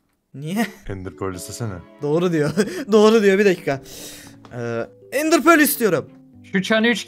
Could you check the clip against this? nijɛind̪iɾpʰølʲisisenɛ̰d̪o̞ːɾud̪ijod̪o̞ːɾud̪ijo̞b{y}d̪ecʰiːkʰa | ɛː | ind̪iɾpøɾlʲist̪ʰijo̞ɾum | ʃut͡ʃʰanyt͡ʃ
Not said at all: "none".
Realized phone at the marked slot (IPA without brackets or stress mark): i